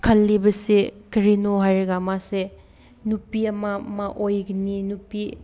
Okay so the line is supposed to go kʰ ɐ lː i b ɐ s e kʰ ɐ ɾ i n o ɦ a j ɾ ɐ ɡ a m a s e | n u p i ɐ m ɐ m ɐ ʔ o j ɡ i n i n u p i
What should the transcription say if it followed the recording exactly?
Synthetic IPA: kʰ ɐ lː i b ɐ s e k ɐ ɾ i n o ɦ a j ɾ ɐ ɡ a m a s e | n u p i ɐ m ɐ m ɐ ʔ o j ɡ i n i n u p i

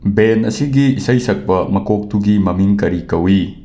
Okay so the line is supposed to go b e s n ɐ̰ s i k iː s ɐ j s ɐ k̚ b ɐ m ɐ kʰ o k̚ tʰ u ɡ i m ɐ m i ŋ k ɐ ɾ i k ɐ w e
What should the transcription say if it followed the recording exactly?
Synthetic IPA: b e n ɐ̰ s i ɡ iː s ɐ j s ɐ k̚ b ɐ m ɐ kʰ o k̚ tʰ u ɡ i m ɐ m i ŋ k ɐ ɾ i k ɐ w i

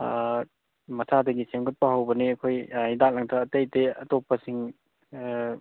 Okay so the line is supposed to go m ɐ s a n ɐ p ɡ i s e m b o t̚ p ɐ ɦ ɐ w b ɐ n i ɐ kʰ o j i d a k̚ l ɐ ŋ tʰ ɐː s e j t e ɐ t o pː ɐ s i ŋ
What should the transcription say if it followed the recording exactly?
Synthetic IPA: m ɐ s a d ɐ ɡ i s e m ɡ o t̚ p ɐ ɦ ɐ w b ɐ n i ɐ kʰ o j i d a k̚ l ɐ ŋ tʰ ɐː t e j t e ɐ t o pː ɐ s i ŋ

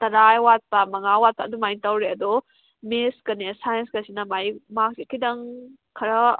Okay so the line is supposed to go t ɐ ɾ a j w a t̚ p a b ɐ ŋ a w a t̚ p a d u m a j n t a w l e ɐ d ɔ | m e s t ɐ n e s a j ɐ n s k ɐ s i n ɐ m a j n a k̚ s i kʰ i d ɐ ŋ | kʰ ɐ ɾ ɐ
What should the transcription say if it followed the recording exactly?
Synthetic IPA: t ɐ ɾ a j w a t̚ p a m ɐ ŋ a w a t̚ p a d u m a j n t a w ɾ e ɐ d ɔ | m e s k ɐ n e s a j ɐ n s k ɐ s i n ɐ m a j m a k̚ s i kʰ i d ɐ ŋ | kʰ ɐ ɾ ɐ

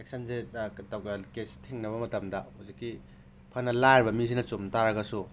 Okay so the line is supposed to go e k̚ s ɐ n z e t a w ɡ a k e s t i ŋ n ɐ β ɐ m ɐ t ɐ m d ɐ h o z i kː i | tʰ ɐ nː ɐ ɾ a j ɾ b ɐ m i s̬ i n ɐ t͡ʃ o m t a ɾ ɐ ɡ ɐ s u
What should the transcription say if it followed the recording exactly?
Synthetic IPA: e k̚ s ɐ n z e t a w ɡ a k e s tʰ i ŋ n ɐ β ɐ m ɐ t ɐ m d ɐ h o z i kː i | pʰ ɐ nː ɐ l a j ɾ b ɐ m i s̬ i n ɐ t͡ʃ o m t a ɾ ɐ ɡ ɐ s u

